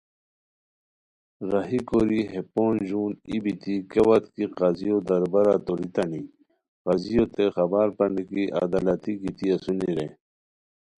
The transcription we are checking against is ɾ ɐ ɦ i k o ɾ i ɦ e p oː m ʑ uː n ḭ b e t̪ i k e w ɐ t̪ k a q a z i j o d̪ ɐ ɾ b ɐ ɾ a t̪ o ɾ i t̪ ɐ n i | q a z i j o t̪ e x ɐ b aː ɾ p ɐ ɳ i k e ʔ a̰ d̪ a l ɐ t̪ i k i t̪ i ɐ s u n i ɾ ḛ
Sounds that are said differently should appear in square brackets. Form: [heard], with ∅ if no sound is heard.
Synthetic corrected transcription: ɾ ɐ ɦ i k o ɾ i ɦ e p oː [n] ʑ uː n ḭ b [i] t̪ i k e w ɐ t̪ k [i] q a z i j o d̪ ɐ ɾ b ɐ ɾ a t̪ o ɾ i t̪ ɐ n i | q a z i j o t̪ e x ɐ b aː ɾ p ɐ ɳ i k [i] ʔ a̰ d̪ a l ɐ t̪ i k i t̪ i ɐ s u n i ɾ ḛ